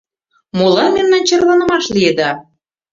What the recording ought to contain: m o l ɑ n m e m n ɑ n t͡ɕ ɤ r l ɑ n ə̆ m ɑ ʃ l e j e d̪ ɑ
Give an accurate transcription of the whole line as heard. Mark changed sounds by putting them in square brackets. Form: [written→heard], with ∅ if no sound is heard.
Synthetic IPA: m o l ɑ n m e m n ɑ n t͡ɕ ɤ r l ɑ n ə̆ m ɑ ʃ l [e→i] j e d̪ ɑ